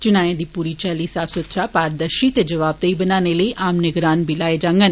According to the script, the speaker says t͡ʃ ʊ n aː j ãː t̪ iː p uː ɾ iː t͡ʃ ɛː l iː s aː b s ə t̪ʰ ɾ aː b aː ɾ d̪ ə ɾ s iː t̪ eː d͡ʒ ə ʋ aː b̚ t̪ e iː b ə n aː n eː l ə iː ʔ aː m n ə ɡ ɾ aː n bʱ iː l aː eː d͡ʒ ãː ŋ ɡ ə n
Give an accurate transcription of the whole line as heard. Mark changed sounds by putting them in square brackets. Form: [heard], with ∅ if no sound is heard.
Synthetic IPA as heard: t͡ʃ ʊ n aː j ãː [d̪] iː p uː ɾ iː t͡ʃ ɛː l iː s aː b s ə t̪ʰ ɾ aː [p] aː ɾ d̪ ə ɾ [ʃ] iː t̪ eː d͡ʒ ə ʋ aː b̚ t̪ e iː b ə n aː n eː l ə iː ʔ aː m n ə ɡ ɾ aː n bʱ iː l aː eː d͡ʒ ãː ŋ ɡ ə n